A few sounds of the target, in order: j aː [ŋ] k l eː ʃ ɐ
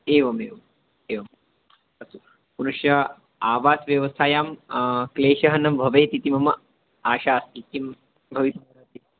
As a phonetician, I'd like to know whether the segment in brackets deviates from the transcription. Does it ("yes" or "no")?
yes